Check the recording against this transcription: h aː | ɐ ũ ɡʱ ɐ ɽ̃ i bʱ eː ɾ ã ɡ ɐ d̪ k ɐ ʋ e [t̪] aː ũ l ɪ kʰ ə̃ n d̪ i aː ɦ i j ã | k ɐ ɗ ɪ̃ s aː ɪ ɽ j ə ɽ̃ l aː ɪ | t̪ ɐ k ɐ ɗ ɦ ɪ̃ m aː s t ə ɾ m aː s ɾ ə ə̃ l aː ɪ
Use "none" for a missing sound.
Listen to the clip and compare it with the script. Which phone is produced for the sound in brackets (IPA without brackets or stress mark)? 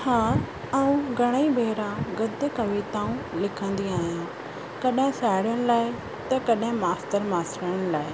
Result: t̪